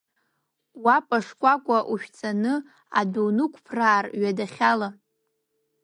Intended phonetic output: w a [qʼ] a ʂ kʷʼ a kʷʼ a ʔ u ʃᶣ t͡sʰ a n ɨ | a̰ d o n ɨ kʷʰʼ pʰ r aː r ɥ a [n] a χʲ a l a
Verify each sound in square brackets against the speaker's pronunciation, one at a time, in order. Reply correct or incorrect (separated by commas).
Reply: incorrect, incorrect